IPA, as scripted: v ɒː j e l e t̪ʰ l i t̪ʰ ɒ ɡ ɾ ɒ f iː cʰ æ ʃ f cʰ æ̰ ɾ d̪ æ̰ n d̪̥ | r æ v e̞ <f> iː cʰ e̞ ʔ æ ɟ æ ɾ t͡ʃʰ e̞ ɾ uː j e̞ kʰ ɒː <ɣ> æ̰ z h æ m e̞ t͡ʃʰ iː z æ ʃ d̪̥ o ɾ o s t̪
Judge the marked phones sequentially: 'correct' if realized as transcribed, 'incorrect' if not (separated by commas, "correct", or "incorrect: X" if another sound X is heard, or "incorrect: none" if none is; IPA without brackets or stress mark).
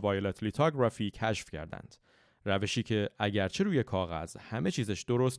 incorrect: ʃ, correct